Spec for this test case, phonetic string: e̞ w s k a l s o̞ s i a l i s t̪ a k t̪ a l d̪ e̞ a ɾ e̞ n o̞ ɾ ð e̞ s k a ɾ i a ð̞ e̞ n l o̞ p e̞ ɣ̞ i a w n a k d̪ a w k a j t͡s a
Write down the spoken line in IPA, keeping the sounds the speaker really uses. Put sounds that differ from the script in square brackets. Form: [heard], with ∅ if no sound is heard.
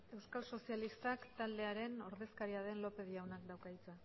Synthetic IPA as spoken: e̞ w s k a l s o̞ s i a l i s t̪ a k t̪ a l d̪ e̞ a ɾ e̞ n o̞ ɾ ð e̞ s k a ɾ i a ð̞ e̞ n l o̞ p e̞ [ð̞] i a w n a k d̪ a w k a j t͡s a